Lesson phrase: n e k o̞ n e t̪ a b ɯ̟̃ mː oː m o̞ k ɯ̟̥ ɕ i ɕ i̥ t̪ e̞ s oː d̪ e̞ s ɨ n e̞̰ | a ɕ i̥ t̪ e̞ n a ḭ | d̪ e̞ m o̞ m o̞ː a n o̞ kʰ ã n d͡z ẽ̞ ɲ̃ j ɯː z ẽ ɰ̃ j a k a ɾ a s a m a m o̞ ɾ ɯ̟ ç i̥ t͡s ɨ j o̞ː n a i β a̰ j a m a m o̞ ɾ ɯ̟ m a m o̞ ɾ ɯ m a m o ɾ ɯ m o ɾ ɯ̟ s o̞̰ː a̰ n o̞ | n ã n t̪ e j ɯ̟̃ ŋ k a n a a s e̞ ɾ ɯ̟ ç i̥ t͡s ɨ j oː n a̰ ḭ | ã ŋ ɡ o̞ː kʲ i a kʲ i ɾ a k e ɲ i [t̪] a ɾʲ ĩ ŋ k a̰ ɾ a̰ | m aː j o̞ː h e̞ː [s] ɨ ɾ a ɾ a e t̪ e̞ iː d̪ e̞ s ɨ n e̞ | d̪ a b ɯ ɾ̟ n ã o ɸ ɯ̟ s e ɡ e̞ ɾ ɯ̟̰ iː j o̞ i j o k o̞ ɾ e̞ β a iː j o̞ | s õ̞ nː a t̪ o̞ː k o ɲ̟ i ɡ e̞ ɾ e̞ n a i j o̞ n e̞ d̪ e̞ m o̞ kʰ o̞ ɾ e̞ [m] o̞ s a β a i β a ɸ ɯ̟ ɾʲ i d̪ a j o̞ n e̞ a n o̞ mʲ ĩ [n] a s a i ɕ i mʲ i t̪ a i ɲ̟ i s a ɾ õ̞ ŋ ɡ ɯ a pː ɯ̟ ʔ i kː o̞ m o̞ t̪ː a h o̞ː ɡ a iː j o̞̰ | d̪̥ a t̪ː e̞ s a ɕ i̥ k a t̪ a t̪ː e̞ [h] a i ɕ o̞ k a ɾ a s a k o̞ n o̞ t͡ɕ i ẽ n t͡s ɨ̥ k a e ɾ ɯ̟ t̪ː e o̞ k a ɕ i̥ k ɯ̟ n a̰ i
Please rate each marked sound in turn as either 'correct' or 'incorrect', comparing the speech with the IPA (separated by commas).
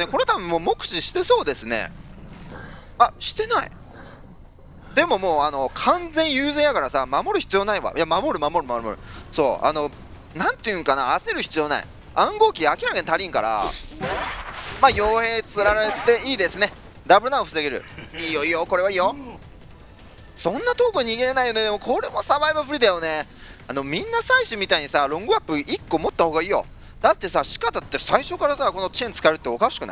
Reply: correct, incorrect, correct, incorrect, incorrect